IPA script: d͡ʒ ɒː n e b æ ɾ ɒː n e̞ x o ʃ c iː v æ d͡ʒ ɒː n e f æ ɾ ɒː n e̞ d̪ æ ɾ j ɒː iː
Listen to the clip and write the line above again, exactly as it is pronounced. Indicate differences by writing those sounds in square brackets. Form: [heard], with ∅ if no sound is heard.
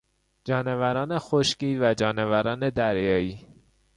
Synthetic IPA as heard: d͡ʒ ɒː n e [v] æ ɾ ɒː n e̞ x o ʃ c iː v æ d͡ʒ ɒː n e [v] æ ɾ ɒː n e̞ d̪ æ ɾ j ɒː iː